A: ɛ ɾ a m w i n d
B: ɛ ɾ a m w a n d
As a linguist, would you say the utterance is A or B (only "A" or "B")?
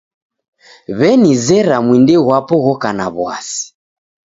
A